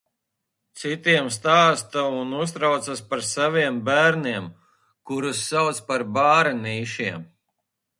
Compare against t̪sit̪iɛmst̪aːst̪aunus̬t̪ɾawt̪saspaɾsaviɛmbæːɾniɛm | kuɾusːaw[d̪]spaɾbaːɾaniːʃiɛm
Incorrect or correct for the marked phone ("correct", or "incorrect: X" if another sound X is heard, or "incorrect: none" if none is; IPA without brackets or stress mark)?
incorrect: t̪